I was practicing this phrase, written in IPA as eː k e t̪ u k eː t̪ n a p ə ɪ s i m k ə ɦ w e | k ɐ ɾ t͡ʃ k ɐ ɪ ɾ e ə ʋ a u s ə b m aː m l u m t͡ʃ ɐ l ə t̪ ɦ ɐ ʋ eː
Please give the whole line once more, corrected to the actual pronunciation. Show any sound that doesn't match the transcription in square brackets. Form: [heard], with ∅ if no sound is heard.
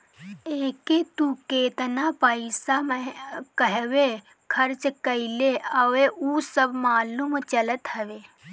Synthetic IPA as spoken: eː k e t̪ u k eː t̪ n a p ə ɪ s [a] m k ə ɦ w e | [kʰ] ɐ ɾ t͡ʃ k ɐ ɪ [l] e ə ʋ [e] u s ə b m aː [∅] l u m t͡ʃ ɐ l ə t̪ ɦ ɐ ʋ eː